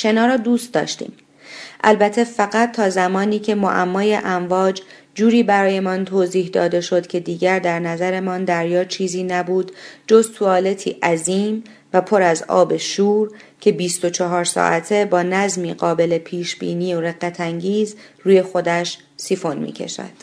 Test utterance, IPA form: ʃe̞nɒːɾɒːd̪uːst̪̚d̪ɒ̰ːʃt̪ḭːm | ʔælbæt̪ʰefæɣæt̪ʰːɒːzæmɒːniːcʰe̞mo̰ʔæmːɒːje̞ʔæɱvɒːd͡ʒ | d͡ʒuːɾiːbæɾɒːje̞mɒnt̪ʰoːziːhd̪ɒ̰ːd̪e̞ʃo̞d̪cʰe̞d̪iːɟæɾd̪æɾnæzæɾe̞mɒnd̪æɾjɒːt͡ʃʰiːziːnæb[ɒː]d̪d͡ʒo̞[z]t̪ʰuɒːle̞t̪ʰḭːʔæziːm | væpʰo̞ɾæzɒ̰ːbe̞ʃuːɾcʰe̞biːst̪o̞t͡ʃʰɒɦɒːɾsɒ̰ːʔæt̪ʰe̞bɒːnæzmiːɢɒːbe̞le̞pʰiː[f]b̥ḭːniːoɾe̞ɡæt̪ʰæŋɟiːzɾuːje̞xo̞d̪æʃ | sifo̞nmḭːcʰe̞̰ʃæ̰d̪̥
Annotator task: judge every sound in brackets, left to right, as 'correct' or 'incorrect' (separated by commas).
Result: incorrect, correct, incorrect